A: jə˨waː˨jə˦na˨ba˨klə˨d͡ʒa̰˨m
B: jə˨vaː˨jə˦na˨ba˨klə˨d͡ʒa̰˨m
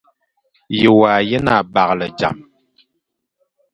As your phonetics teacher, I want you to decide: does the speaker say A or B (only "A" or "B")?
A